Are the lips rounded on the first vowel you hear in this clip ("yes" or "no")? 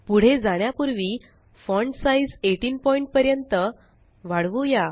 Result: yes